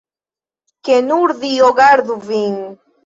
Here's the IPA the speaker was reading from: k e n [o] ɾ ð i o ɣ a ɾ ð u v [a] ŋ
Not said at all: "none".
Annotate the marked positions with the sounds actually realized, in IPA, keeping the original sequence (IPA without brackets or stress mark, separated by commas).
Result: u, i